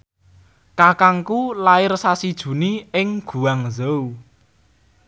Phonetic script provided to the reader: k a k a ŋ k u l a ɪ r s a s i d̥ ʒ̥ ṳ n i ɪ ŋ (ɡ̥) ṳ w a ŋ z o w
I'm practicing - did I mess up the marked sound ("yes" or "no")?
no